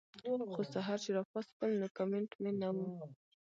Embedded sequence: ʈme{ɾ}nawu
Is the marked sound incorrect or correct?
incorrect: none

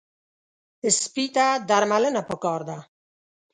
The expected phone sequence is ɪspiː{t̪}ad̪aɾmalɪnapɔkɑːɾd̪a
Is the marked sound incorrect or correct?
correct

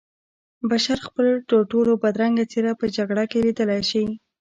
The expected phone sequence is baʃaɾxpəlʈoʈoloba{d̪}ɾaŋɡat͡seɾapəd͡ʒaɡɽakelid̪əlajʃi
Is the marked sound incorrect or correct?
correct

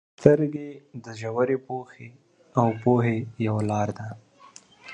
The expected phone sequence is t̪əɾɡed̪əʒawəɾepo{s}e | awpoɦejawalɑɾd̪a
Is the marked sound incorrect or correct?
incorrect: x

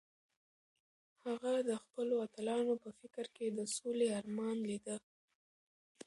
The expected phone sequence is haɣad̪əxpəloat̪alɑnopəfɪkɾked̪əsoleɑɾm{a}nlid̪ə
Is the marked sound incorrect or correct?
incorrect: ɑ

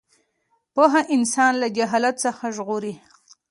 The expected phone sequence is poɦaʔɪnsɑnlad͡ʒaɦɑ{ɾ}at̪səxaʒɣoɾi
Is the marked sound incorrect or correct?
incorrect: l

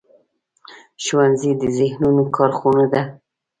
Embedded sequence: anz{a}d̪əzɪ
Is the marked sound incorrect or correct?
incorrect: i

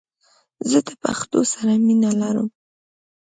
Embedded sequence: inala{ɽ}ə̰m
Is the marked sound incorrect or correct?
incorrect: ɾ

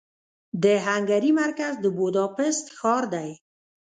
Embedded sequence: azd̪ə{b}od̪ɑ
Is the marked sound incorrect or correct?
correct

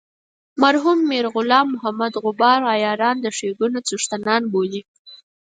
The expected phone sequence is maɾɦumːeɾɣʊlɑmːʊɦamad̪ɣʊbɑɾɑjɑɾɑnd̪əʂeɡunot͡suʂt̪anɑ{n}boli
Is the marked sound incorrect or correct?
correct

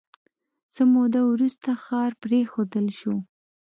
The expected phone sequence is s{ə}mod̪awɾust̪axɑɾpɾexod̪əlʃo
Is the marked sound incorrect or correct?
correct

